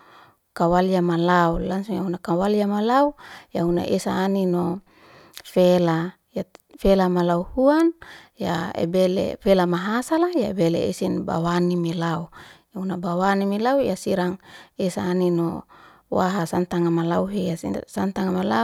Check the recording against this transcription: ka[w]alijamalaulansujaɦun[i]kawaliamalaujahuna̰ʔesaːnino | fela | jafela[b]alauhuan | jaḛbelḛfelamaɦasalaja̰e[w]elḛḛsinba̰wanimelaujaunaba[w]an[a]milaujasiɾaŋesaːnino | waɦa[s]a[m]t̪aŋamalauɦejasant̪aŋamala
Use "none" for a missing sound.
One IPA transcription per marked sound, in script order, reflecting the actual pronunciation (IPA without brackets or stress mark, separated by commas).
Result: w, a, m, b, w, i, s, n